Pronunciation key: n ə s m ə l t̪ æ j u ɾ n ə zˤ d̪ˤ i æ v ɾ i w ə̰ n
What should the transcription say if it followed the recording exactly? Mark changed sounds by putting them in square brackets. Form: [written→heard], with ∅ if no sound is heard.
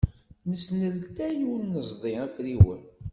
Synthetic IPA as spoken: n ə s [m→n] ə l t̪ æ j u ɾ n ə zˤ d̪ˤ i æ [v→f] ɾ i w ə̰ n